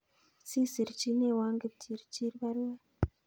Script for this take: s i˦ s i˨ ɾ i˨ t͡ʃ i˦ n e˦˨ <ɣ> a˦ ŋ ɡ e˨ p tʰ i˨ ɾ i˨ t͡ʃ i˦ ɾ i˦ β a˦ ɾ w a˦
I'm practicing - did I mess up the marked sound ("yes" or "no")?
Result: yes